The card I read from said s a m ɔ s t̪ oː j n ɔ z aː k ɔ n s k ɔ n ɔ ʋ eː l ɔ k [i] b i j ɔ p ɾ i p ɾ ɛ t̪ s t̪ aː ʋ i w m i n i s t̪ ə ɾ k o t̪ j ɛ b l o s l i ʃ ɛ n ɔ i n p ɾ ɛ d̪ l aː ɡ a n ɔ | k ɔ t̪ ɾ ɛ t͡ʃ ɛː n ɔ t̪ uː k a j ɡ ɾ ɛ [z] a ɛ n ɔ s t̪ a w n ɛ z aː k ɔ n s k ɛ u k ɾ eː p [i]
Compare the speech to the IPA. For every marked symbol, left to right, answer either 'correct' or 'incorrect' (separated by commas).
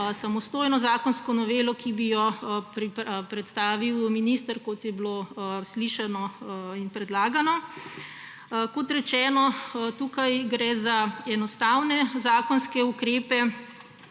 correct, correct, incorrect